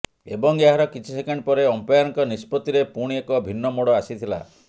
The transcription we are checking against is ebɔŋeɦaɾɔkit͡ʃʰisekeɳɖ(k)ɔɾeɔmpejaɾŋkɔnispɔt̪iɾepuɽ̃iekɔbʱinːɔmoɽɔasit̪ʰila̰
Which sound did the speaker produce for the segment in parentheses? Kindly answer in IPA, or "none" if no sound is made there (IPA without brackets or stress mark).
p